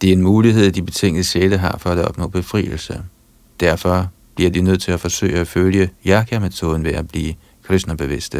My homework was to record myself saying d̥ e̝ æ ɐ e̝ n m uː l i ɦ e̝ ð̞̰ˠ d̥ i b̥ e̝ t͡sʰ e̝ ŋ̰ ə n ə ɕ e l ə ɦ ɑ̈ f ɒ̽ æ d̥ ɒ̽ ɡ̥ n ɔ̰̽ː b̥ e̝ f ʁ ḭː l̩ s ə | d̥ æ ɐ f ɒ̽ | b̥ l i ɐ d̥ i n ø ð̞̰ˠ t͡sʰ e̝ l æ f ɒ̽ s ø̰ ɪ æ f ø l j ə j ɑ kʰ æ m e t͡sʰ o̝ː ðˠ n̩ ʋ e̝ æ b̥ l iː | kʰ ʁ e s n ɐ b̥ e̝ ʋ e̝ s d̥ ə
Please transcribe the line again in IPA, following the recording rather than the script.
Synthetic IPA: d̥ e̝ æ ɐ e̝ n m uː l i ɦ e̝ ð̞̰ˠ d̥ i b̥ e̝ t͡sʰ e̝ ŋ̰ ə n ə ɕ e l ə ɦ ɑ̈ f ɒ̽ æ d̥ ɒ̽ b̥ n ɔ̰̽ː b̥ e̝ f ʁ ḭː l̩ s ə | d̥ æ ɐ f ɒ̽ | b̥ l i ɐ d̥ i n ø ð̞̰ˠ t͡sʰ e̝ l æ f ɒ̽ s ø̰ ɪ æ f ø l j ə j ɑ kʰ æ m e t͡sʰ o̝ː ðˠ n̩ ʋ e̝ æ b̥ l iː | kʰ ʁ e s n ɐ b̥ e̝ ʋ e̝ s d̥ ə